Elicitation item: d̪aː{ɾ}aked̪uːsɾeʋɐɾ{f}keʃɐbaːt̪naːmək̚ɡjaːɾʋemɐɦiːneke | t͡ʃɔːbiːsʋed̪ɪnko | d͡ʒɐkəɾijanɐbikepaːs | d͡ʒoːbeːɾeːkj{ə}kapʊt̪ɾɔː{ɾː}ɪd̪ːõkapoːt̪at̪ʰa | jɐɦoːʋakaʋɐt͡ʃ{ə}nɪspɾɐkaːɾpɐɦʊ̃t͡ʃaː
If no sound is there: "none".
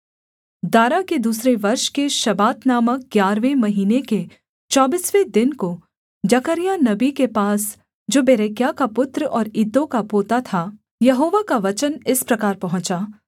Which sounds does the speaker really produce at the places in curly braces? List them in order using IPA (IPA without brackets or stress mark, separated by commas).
ɾ, ʃ, a, ɾ, ə